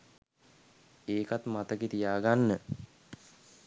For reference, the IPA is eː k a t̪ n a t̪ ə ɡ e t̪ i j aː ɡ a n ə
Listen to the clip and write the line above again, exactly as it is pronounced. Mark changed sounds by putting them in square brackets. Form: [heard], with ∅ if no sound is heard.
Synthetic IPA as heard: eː k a t̪ [m] a t̪ ə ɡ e t̪ i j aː ɡ a [nː] ə